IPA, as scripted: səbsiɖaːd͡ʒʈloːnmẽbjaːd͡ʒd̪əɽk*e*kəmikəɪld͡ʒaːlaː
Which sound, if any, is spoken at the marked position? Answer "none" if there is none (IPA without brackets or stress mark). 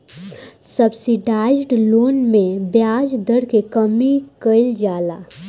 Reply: e